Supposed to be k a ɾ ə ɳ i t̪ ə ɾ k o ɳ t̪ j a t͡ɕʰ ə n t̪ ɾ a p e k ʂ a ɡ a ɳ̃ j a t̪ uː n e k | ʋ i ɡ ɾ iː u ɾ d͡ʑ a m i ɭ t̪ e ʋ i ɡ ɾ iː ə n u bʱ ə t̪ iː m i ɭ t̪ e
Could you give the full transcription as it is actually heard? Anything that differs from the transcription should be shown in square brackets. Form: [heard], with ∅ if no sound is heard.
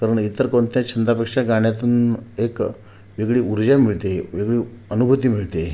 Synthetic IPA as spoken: k a ɾ ə ɳ i t̪ ə ɾ k o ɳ t̪ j a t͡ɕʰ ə n [d̪] ɾ a p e k ʂ a ɡ a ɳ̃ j a t̪ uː n e k | ʋ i ɡ [ɭ] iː u ɾ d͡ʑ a m i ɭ t̪ e ʋ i ɡ [ɭ] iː ə n u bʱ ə t̪ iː m i ɭ t̪ e